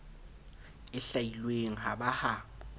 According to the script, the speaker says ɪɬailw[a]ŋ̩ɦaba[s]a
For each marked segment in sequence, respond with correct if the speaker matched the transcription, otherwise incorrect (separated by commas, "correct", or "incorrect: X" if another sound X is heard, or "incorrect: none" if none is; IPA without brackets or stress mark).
incorrect: e, incorrect: h